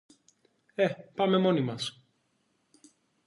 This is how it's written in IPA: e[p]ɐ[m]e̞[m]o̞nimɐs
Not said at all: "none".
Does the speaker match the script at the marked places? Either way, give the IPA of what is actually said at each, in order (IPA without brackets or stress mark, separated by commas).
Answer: p, m, m